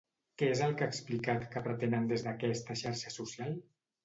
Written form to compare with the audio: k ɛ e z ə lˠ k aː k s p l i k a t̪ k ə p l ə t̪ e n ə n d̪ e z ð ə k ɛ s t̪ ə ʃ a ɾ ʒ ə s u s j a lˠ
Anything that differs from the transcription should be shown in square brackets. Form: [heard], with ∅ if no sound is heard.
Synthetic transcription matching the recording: k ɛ e z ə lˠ k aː k s p l i k a t̪ k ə p [ɾ] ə t̪ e n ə n d̪ e z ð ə k ɛ s t̪ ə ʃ a ɾ [ʃ] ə s u s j a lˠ